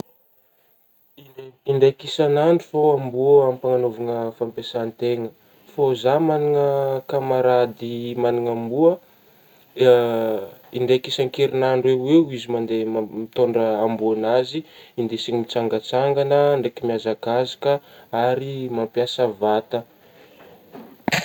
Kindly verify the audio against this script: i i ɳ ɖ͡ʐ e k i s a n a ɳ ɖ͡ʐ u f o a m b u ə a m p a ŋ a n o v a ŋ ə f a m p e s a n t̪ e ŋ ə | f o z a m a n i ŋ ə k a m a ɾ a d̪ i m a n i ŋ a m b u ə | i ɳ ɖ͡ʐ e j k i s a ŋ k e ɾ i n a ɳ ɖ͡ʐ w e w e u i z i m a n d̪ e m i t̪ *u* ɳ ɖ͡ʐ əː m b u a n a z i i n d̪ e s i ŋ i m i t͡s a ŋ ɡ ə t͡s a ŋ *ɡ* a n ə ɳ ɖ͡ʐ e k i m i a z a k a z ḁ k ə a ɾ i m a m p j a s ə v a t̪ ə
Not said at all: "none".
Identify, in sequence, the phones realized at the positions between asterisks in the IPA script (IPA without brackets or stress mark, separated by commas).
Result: o, ɡ